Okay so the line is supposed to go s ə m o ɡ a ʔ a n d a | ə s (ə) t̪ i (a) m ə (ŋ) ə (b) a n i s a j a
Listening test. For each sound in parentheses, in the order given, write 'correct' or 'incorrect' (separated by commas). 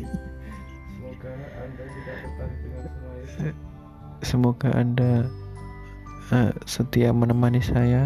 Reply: correct, correct, incorrect, incorrect